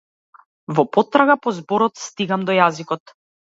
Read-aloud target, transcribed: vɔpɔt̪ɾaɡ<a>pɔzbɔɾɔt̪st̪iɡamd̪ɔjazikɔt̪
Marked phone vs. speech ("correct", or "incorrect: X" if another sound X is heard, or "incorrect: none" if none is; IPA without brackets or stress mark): correct